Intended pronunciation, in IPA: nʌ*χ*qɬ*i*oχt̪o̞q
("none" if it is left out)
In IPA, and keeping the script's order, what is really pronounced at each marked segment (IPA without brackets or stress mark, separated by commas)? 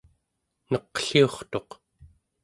none, i